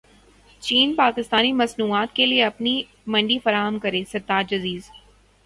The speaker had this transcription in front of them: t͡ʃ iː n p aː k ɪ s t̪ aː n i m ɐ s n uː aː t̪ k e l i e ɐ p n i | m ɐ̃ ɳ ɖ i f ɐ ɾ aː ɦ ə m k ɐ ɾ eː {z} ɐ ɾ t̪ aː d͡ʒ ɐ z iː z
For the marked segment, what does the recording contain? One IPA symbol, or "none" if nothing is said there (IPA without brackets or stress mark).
s